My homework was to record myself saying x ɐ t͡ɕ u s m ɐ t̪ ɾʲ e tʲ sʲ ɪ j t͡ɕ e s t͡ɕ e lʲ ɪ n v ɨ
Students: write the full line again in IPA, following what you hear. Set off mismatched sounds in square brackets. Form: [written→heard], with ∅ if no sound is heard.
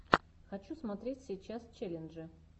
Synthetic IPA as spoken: x ɐ t͡ɕ u s m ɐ t̪ ɾʲ e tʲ sʲ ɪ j t͡ɕ [e→a] s t͡ɕ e lʲ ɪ n [v→ʐ] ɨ